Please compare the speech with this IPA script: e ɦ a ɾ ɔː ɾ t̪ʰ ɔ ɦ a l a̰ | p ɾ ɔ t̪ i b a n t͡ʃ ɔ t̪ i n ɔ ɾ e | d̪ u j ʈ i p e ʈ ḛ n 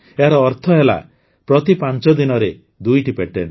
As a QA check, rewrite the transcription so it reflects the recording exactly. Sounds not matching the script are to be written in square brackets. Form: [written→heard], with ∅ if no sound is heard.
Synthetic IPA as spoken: e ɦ a ɾ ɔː ɾ t̪ʰ ɔ ɦ [a→e] l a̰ | p ɾ ɔ t̪ i [b→p] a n t͡ʃ ɔ [t̪→d̪] i n ɔ ɾ e | d̪ u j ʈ i p e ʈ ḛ n